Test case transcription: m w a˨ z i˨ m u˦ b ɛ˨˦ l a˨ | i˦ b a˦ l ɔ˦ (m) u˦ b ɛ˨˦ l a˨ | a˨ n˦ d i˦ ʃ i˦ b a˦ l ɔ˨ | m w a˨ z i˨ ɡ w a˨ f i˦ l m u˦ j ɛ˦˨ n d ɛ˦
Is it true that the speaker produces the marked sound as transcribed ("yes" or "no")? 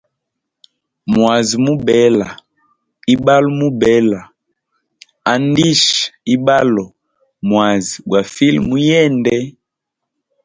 yes